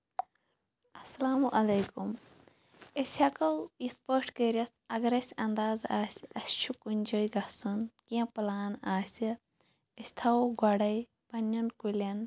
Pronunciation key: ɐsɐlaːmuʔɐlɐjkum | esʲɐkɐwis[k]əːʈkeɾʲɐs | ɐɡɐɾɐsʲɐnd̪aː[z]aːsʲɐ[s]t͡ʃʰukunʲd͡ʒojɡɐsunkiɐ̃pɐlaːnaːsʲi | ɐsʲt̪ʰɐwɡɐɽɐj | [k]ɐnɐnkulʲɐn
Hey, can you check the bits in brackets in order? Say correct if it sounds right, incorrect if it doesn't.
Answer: incorrect: p, correct, correct, incorrect: p

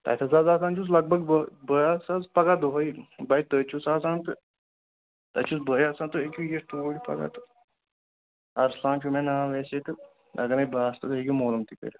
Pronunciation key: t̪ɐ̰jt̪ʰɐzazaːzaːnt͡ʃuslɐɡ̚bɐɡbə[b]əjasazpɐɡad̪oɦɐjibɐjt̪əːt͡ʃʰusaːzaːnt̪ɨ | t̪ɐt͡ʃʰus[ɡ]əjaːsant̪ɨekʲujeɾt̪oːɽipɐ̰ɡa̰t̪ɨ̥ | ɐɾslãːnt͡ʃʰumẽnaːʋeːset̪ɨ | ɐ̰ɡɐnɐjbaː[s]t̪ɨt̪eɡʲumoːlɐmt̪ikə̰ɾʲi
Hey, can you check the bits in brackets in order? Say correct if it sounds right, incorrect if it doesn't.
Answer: correct, incorrect: b, correct

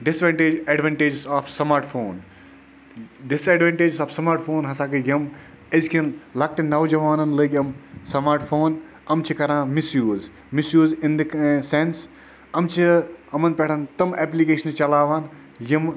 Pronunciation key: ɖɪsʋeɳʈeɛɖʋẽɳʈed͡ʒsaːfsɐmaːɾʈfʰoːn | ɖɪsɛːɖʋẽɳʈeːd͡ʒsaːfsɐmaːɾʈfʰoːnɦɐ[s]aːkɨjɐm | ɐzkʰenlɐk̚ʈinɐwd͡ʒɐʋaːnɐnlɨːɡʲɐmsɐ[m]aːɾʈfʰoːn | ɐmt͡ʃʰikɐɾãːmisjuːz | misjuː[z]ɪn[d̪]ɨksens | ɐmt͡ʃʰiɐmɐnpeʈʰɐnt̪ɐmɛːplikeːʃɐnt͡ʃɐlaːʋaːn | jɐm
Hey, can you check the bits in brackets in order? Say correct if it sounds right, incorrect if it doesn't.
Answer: correct, correct, correct, correct

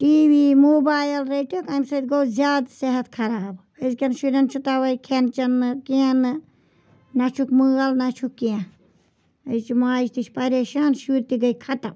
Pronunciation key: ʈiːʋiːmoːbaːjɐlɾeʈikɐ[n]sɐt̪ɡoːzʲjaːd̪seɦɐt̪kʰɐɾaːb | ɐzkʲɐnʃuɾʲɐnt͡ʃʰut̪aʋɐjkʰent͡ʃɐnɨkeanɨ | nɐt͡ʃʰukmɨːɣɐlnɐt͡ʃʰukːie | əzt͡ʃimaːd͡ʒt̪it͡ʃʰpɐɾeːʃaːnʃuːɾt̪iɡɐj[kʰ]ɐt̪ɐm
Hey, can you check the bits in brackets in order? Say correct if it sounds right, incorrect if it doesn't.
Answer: incorrect: m, correct

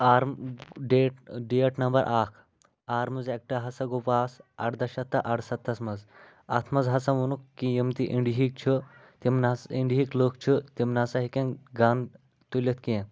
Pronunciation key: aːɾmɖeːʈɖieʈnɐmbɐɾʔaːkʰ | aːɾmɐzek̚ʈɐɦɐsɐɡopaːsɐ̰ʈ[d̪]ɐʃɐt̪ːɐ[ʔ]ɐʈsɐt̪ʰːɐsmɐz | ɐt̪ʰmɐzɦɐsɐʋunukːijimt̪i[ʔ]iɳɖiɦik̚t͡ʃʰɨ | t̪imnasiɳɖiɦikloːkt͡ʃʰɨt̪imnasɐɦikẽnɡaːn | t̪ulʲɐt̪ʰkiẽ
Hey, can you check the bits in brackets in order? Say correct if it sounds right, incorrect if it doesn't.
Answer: correct, correct, correct

